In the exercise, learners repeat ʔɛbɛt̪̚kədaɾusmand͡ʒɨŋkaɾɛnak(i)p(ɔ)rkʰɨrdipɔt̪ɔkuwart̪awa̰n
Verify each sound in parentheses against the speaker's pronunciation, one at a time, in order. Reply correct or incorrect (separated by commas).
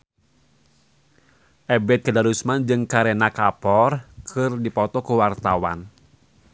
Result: incorrect, correct